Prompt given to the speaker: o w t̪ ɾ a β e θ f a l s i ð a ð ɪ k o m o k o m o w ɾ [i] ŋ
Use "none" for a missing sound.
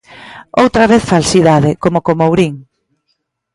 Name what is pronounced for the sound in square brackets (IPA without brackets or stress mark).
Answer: i